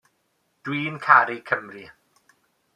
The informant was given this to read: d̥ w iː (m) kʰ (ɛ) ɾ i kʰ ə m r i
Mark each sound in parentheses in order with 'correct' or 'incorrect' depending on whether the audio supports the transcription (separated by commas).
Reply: incorrect, incorrect